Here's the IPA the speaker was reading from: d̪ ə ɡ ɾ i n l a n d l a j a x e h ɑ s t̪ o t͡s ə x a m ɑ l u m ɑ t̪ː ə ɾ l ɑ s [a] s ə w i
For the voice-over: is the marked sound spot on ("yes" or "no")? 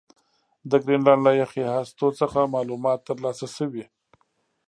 yes